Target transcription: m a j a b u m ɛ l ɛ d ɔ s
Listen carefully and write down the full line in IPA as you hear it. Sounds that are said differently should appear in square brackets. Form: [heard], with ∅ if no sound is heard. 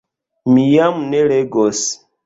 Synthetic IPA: m [i] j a [m] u [n] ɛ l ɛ [ɡ] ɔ s